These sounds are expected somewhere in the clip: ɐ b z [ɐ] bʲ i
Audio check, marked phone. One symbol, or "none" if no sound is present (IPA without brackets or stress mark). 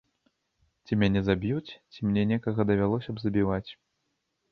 ɐ